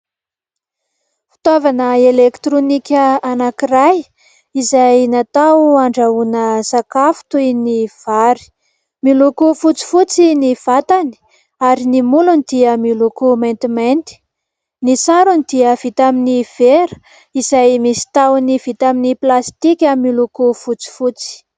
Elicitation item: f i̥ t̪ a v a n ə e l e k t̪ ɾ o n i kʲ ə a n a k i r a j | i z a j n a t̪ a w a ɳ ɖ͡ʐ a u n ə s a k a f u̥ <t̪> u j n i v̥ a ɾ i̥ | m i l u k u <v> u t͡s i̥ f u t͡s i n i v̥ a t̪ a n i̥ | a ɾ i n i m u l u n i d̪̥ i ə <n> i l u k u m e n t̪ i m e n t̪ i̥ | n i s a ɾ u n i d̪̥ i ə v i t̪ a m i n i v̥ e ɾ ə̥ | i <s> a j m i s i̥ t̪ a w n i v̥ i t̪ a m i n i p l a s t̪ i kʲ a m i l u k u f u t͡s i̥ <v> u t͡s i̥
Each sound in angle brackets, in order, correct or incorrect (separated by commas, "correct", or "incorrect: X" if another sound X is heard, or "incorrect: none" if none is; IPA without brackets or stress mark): correct, incorrect: f, incorrect: m, incorrect: z, incorrect: f